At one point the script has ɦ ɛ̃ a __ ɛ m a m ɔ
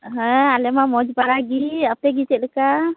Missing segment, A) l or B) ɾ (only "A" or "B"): A